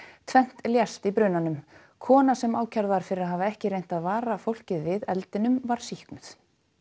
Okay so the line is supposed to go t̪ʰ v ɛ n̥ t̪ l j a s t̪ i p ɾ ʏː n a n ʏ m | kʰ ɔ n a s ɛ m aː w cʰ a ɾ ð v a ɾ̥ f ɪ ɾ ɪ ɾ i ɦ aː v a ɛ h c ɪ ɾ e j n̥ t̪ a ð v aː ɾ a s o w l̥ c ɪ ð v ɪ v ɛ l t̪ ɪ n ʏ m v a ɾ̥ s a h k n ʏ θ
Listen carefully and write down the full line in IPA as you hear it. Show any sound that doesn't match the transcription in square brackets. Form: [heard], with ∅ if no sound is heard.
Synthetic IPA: t̪ʰ v ɛ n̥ t̪ l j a s t̪ i p ɾ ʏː n a n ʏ m | kʰ [ɔː] n a s ɛ m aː w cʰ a ɾ ð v a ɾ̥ f ɪ ɾ ɪ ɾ [a] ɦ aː v a ɛ h c ɪ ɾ e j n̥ t̪ a ð v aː ɾ a [f] o w l̥ c ɪ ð v ɪ [ð] ɛ l t̪ ɪ n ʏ m v a ɾ̥ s [i] h k n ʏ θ